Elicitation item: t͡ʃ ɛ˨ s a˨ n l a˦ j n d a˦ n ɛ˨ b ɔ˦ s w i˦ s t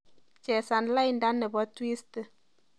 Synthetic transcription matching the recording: t͡ʃ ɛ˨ s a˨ n l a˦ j n d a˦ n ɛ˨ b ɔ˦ t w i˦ s t